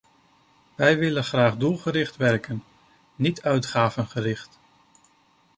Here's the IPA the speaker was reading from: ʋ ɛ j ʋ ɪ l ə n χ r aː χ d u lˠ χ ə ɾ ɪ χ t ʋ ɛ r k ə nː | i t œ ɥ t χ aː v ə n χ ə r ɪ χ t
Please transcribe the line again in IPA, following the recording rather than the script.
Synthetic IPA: ʋ ɛ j ʋ ɪ l ə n χ r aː χ d u lˠ χ ə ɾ ɪ χ t ʋ ɛ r k ə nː | i t œ ɥ t χ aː v ə n χ ə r ɪ χ t